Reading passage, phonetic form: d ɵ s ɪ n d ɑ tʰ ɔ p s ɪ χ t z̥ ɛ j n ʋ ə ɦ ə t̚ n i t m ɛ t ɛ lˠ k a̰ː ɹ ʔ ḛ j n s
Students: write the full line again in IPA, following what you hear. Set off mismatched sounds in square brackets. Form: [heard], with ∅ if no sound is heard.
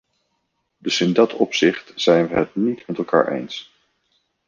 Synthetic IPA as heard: d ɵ s ɪ n d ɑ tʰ ɔ p s ɪ χ t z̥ ɛ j n ʋ ə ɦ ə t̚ n i t m ɛ t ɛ lˠ k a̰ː ɹ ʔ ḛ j n s

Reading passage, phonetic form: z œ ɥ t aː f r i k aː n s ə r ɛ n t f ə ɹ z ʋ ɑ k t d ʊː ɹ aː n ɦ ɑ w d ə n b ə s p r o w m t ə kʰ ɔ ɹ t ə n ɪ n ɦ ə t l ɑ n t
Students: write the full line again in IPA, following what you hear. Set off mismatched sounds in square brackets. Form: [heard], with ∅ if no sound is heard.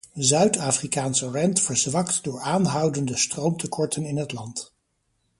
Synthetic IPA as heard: z œ ɥ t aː f r i k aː n s ə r ɛ n t f ə ɹ z ʋ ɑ k t d ʊː ɹ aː n ɦ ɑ w d ə n [d] ə s [t] r o w m t ə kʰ ɔ ɹ t ə n ɪ n ɦ ə t l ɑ n t

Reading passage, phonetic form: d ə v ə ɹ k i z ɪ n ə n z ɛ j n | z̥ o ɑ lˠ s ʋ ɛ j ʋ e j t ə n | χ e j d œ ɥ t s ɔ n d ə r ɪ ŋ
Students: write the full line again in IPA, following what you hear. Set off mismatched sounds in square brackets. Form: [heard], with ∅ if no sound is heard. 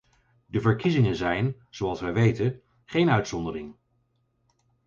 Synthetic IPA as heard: d ə v ə ɹ k i z ɪ [ŋ] ə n z ɛ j n | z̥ o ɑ lˠ s ʋ ɛ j ʋ e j t ə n | χ e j [n] œ ɥ t s ɔ n d ə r ɪ ŋ

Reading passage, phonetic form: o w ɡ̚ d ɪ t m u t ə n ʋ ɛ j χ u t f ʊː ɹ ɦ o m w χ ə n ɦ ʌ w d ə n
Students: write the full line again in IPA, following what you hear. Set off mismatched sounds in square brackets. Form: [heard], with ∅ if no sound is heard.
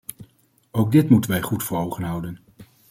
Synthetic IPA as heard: o w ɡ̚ d ɪ t m u t ə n ʋ ɛ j χ u t f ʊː ɹ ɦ o [∅] w χ ə n ɦ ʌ w d ə n

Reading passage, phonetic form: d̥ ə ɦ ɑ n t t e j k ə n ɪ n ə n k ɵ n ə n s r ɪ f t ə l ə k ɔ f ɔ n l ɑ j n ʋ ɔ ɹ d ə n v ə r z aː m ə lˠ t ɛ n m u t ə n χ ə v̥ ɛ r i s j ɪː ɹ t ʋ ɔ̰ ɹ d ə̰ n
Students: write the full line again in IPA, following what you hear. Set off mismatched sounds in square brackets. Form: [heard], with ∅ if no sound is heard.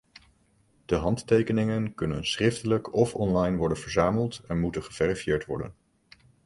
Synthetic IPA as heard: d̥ ə ɦ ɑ n t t e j k ə n ɪ [ŋ] ə n k ɵ n ə n s r ɪ f t ə l ə k ɔ f ɔ n l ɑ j n ʋ ɔ ɹ d ə n v ə [ɹ] z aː m ə lˠ t ɛ n m u t ə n χ ə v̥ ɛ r i [f] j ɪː ɹ t ʋ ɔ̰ ɹ d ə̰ n

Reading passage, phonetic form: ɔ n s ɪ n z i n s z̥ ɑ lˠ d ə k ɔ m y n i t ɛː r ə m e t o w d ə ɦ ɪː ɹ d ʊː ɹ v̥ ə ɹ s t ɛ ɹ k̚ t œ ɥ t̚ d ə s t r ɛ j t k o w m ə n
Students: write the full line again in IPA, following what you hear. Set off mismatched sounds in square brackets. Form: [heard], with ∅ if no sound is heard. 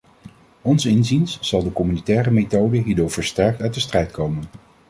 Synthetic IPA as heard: ɔ n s ɪ n z i n s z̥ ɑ lˠ d ə k ɔ m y n i t ɛː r ə m e t o w d ə ɦ [iː] ɹ d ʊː ɹ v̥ ə ɹ s t ɛ ɹ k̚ t œ ɥ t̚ d ə s t r ɛ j t k o w m ə n

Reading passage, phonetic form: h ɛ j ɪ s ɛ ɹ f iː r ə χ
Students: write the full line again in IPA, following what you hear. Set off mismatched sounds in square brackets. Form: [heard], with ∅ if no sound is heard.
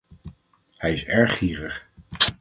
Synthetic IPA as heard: h ɛ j ɪ s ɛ ɹ [χ] iː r ə χ

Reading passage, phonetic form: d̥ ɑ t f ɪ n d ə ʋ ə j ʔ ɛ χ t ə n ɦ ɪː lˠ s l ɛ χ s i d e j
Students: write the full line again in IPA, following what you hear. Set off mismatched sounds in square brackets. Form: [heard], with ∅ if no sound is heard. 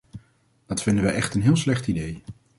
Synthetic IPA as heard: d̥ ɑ t f ɪ n d ə ʋ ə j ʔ ɛ χ t ə n ɦ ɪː lˠ s l ɛ χ [t] i d e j

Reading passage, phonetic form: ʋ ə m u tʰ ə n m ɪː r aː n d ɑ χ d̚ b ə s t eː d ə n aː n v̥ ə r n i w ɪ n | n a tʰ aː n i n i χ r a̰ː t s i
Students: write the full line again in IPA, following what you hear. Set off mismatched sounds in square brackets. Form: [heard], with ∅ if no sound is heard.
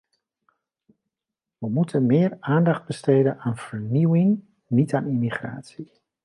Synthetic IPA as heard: ʋ ə m u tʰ ə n m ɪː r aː n d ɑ χ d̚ b ə s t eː d ə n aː n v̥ ə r n i w ɪ [ŋ] | n [i] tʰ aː n i [m] i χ r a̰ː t s i

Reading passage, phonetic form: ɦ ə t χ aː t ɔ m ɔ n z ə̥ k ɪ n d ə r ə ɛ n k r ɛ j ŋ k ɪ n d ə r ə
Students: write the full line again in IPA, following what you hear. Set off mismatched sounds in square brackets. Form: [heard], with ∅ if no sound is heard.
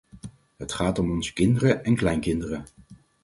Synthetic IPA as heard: ɦ ə t χ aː t ɔ m ɔ n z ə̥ k ɪ n d ə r ə ɛ n k [l] ɛ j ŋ k ɪ n d ə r ə

